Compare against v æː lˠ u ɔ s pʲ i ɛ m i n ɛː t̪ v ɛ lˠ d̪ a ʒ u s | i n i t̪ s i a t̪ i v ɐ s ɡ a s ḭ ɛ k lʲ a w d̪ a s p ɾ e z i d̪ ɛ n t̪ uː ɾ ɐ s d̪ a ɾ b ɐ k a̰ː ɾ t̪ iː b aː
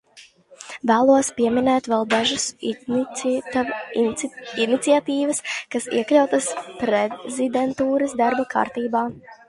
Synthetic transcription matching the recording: v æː lˠ u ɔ s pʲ i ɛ m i n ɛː t̪ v ɛ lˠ d̪ a ʒ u s | i n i t̪ s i a t̪ iː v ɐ s k a s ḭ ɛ k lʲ a w t̪ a s p ɾ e z i d̪ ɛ n t̪ uː ɾ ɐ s d̪ a ɾ b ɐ k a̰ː ɾ t̪ iː b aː